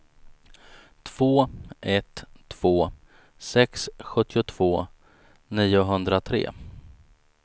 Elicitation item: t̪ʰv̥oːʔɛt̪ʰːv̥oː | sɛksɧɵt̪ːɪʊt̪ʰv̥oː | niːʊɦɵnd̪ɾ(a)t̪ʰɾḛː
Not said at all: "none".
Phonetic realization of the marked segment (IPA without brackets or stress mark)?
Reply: a